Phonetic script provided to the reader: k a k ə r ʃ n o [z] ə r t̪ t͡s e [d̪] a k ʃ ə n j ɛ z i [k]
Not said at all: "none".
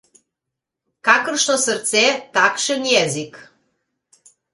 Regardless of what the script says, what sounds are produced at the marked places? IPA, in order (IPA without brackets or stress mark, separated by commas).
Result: s, t̪, k